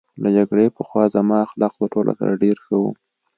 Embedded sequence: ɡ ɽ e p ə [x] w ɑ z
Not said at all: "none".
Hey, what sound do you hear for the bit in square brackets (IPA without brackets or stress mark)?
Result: x